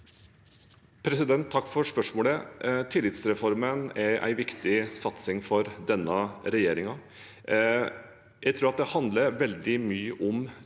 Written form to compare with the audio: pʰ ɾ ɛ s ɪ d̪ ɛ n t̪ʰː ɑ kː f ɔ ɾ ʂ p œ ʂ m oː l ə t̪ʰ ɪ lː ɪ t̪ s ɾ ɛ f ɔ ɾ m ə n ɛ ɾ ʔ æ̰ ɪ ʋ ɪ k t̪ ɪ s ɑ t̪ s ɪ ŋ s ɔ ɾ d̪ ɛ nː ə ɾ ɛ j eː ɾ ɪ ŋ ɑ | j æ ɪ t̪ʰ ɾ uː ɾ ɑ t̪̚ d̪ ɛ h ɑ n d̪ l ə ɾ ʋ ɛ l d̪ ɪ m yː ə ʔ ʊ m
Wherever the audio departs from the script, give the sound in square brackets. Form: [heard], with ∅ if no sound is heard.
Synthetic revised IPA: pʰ ɾ ɛ s ɪ d̪ ɛ n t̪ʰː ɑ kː f ɔ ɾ ʂ p œ ʂ m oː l ə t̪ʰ ɪ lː ɪ t̪ s ɾ ɛ f ɔ ɾ m ə n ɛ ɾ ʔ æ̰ ɪ ʋ ɪ k t̪ ɪ s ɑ t̪ s ɪ ŋ [f] ɔ ɾ d̪ ɛ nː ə ɾ ɛ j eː ɾ ɪ ŋ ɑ | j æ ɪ t̪ʰ ɾ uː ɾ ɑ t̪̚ d̪ ɛ h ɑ n d̪ l ə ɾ ʋ ɛ l d̪ ɪ m yː ə ʔ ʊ m

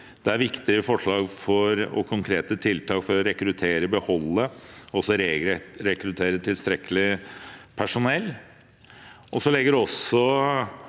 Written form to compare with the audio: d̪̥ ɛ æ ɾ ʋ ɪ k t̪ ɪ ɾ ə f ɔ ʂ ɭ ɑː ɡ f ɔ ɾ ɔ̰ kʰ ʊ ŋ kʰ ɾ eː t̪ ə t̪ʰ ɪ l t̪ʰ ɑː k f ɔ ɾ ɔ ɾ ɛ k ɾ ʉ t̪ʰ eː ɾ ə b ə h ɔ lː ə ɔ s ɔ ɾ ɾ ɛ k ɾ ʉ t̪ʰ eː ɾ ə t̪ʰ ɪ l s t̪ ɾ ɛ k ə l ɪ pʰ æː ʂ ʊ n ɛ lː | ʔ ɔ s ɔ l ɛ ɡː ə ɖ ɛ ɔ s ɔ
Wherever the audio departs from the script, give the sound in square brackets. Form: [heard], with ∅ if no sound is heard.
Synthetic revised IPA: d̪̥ ɛ æ ɾ ʋ ɪ k t̪ ɪ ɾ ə f ɔ ʂ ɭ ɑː ɡ f ɔ ɾ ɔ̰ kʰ ʊ ŋ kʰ ɾ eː t̪ ə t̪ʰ ɪ l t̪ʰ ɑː k f ɔ ɾ ɔ ɾ ɛ k ɾ ʉ t̪ʰ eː ɾ ə b ə h ɔ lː ə ɔ s ɔ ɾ ɾ ɛ k ɾ ʉ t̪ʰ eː ɾ ə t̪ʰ ɪ l s t̪ ɾ ɛ k ə l ɪ pʰ [æ] ʂ ʊ n ɛ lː | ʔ ɔ s ɔ l ɛ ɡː ə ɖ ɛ ɔ s ɔ

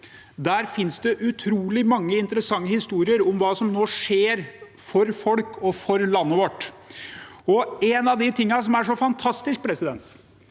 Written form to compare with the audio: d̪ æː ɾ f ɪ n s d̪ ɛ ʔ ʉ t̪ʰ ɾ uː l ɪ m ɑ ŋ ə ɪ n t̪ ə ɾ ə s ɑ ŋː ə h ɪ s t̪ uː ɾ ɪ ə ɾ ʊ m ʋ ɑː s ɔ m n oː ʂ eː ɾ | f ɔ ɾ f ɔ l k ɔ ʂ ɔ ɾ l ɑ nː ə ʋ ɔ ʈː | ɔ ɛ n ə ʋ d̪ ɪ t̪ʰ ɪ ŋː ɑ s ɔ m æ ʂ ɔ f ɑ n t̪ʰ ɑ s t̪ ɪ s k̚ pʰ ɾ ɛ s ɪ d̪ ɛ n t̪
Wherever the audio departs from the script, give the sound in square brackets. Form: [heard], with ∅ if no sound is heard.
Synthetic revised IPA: d̪ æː ɾ f ɪ n s d̪ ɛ ʔ ʉ t̪ʰ ɾ uː l ɪ m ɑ [ŋː] ə ɪ n t̪ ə ɾ ə s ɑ ŋː ə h ɪ s t̪ uː ɾ ɪ ə ɾ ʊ m ʋ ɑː s ɔ m n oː ʂ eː ɾ | f ɔ ɾ f ɔ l k ɔ [f] ɔ ɾ l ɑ nː ə ʋ ɔ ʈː | ɔ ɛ n [ɑ] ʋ d̪ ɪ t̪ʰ ɪ ŋː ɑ s ɔ m æ ʂ ɔ f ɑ n t̪ʰ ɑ s t̪ ɪ s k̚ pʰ ɾ ɛ s ɪ d̪ ɛ n t̪

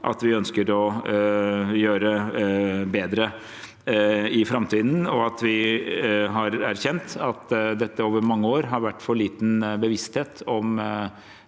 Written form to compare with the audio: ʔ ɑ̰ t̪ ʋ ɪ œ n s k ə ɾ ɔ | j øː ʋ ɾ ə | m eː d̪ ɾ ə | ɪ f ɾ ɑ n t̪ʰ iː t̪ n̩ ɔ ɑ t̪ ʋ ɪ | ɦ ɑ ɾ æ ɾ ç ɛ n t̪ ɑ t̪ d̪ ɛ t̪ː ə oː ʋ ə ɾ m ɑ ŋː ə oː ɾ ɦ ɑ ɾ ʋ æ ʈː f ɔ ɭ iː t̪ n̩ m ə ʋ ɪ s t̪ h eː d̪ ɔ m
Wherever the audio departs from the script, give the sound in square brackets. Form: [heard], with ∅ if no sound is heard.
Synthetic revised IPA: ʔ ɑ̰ t̪ ʋ ɪ œ n s k ə ɾ ɔ | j øː [∅] ɾ ə | [b] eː d̪ ɾ ə | ɪ f ɾ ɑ [m] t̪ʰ iː [d̪] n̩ ɔ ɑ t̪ ʋ ɪ | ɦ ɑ ɾ æ ɾ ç ɛ n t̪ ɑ t̪ d̪ ɛ t̪ː ə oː ʋ ə ɾ m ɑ ŋː ə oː ɾ ɦ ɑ ɾ ʋ æ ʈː f ɔ ɭ iː t̪ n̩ [b] ə ʋ ɪ s t̪ h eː [t̪] ɔ m

